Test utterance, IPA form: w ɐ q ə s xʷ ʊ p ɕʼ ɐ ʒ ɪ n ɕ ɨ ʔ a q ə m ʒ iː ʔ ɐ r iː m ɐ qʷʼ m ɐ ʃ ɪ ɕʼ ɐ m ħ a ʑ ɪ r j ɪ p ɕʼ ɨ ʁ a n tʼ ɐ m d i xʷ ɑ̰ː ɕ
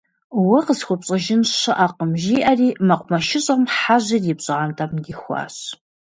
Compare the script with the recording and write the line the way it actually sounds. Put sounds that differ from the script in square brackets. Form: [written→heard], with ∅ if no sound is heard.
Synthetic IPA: w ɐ q ə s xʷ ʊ p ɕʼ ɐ ʒ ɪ n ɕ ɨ ʔ a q ə m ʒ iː ʔ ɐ r iː m ɐ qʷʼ m ɐ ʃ ɪ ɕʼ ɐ m ħ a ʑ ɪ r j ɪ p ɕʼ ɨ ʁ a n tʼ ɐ m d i xʷ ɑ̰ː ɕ

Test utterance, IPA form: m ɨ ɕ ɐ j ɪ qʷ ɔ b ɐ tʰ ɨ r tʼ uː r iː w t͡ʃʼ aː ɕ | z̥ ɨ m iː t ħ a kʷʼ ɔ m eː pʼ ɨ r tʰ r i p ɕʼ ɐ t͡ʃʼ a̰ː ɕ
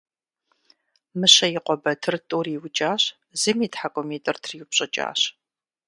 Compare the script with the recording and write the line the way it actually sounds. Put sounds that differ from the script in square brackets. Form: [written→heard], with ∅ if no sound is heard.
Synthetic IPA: m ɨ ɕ ɐ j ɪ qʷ ɔ b ɐ tʰ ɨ r tʼ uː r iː w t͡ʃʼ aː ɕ | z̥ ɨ m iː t ħ a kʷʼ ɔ m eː [pʼ→tʼ] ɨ r tʰ r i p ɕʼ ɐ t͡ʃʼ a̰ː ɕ

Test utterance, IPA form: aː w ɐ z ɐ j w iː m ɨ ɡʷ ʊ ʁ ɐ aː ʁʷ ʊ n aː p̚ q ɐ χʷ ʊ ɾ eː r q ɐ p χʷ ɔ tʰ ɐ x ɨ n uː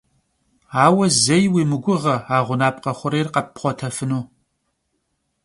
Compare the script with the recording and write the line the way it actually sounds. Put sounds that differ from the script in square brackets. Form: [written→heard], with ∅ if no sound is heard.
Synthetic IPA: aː w ɐ z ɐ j w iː m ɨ ɡʷ ʊ ʁ ɐ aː ʁʷ ʊ n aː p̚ q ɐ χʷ ʊ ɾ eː r q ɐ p χʷ ɔ tʰ ɐ [x→f] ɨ n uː

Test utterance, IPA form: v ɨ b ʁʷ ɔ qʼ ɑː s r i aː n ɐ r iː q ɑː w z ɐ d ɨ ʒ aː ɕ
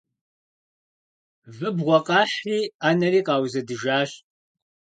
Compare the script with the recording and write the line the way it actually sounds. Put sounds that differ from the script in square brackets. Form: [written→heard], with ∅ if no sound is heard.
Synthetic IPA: v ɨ b ʁʷ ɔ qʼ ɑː [s→ħ] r [i→iː] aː n ɐ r iː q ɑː w z ɐ d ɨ ʒ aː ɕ

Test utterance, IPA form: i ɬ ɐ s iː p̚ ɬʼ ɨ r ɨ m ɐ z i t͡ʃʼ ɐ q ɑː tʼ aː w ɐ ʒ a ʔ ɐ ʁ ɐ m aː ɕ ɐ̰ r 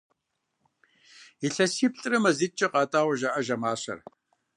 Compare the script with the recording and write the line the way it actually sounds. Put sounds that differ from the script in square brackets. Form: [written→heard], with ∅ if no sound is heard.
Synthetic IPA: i ɬ ɐ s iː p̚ ɬʼ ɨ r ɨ m ɐ z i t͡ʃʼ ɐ q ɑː tʼ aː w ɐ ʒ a ʔ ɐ [ʁ→ʒ] ɐ m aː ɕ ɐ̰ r

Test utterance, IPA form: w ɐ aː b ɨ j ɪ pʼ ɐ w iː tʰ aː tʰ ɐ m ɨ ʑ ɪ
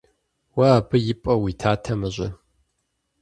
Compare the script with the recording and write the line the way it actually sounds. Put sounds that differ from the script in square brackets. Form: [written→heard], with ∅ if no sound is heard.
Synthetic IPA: w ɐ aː b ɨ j ɪ pʼ ɐ w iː tʰ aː tʰ ɐ m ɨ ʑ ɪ

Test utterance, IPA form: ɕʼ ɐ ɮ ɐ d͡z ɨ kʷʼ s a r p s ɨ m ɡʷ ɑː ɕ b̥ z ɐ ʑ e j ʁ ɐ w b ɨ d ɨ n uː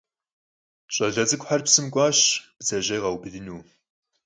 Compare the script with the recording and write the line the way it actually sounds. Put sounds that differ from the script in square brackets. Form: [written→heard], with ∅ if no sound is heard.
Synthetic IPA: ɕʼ ɐ ɮ ɐ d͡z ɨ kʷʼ [s→ħ] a r p s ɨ m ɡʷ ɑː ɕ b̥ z ɐ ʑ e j ʁ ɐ w b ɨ d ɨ n uː

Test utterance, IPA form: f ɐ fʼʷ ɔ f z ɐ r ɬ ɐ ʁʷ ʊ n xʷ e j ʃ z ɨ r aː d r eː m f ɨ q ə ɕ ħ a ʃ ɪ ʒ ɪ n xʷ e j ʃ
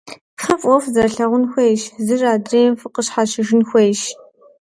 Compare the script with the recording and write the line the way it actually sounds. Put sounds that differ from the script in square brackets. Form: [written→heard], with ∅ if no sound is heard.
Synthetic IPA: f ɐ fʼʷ ɔ f z ɐ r ɬ ɐ ʁʷ ʊ n xʷ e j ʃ z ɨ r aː d r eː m f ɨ q ə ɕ ħ a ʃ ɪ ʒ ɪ n xʷ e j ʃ

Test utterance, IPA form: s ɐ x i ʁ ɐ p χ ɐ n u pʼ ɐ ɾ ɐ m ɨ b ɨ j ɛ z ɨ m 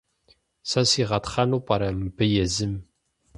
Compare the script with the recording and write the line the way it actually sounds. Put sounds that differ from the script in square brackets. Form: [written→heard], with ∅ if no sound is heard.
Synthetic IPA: s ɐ [x→s] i ʁ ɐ [p→t] χ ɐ n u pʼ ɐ ɾ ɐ m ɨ b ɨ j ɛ z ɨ m

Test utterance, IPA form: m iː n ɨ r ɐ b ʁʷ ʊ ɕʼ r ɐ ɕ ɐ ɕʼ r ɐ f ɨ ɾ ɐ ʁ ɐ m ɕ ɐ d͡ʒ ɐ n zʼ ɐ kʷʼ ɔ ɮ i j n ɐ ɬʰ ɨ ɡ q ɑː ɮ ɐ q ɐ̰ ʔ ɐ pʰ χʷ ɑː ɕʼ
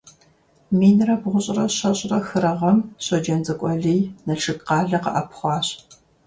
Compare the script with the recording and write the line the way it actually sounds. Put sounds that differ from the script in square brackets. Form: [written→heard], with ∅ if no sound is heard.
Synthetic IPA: m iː n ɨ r ɐ b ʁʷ ʊ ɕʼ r ɐ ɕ ɐ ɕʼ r ɐ [f→x] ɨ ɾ ɐ ʁ ɐ m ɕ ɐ d͡ʒ ɐ n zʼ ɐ kʷʼ ɔ ɮ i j n ɐ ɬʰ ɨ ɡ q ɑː ɮ ɐ q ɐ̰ ʔ ɐ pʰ χʷ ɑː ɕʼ

